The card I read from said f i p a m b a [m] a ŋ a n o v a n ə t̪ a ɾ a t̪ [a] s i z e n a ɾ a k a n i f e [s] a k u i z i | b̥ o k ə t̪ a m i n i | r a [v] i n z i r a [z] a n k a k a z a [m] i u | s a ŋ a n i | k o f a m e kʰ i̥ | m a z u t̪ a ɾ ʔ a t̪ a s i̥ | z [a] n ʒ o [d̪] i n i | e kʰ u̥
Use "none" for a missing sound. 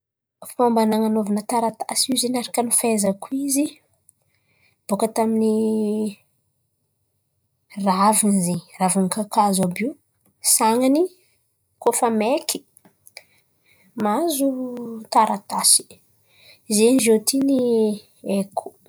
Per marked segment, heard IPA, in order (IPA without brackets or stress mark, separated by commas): n, a, z, v, v, b, e, t̪